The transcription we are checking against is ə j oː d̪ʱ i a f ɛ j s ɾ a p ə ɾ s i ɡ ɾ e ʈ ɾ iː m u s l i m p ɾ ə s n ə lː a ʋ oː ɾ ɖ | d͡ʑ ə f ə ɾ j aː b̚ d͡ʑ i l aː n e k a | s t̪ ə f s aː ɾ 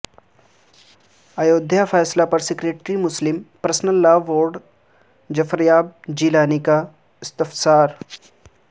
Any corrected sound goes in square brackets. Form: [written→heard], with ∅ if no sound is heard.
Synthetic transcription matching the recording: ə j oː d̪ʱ [i→j] a f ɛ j s [ɾ→l] a p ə ɾ s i [ɡ→k] ɾ e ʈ ɾ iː m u s l i m p ɾ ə s n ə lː a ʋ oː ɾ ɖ | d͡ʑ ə f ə ɾ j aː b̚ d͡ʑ i l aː n [e→i] k a | s t̪ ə f s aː ɾ